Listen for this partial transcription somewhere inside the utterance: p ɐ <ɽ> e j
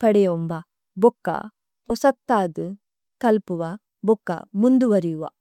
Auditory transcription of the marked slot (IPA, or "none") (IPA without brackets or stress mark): ɽ